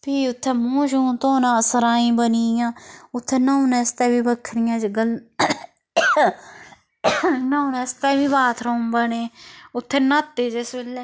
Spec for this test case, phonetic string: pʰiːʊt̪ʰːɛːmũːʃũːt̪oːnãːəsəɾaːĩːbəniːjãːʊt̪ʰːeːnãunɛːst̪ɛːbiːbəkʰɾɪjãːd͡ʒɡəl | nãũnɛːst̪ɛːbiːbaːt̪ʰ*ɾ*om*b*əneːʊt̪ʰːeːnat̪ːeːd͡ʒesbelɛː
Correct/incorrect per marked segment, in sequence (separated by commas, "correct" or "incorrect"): correct, correct